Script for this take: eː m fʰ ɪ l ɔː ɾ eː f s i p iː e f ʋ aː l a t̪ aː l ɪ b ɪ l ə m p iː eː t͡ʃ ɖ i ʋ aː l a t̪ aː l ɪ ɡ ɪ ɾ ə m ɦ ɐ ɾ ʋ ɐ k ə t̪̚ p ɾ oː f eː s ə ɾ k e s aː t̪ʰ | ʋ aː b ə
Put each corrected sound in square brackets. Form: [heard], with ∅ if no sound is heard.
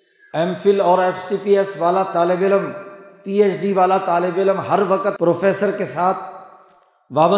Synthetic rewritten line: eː m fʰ ɪ l ɔː ɾ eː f s i p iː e [s] ʋ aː l a t̪ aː l ɪ b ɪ l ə m p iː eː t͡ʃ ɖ i ʋ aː l a t̪ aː l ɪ [b] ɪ [l] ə m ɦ ɐ ɾ ʋ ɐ k ə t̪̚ p ɾ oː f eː s ə ɾ k e s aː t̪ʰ | ʋ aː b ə